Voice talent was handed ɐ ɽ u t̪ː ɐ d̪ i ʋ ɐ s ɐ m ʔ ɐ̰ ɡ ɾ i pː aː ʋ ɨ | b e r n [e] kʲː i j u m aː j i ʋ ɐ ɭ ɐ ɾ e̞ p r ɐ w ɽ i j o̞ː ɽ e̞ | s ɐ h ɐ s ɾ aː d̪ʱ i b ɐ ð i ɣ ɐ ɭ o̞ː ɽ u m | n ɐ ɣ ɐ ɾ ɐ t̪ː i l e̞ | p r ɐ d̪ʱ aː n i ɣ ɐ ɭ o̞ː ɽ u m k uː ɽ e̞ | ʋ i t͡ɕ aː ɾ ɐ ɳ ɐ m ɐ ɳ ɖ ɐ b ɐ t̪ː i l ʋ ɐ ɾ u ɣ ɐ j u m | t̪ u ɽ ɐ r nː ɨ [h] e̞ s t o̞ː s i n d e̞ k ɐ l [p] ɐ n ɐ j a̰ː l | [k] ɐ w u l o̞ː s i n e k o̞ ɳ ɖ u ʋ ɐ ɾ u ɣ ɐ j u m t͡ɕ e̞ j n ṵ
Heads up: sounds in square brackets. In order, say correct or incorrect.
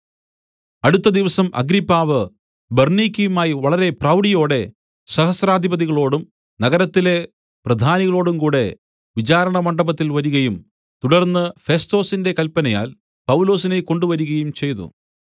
incorrect: i, incorrect: f, correct, incorrect: p

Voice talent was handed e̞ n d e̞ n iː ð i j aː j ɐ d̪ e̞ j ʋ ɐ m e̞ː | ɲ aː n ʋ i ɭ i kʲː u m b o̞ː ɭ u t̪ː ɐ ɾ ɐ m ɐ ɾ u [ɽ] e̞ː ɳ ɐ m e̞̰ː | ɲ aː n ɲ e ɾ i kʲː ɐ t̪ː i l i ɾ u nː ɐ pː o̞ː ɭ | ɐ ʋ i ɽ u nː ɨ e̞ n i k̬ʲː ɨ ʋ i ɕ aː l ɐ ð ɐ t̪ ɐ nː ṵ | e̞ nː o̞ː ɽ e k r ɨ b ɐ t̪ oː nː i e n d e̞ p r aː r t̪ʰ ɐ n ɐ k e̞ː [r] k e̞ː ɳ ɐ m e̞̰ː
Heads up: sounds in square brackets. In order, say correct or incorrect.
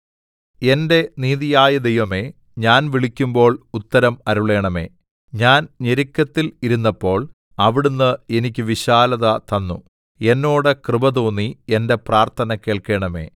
incorrect: ɭ, incorrect: ɭ

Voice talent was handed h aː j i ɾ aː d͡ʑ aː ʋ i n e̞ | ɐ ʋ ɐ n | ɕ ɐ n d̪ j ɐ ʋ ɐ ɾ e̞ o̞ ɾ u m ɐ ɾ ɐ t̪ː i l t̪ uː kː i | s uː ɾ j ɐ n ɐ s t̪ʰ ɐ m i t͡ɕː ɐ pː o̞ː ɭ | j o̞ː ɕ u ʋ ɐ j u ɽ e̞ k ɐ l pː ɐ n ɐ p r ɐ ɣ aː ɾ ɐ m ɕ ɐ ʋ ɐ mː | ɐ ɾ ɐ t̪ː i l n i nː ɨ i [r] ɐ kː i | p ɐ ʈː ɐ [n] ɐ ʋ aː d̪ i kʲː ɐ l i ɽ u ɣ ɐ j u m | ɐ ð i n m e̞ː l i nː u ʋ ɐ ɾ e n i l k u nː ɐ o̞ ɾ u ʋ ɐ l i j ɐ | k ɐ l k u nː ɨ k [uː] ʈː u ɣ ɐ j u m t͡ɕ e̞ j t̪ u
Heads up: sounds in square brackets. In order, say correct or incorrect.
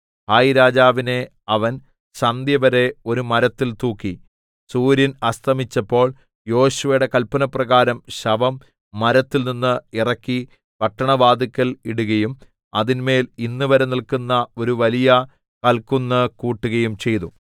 correct, incorrect: ɳ, correct

